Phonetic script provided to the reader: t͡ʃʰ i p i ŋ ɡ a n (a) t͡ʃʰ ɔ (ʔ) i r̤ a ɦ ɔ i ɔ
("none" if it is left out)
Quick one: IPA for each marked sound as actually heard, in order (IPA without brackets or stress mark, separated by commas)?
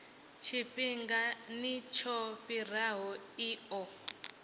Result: i, p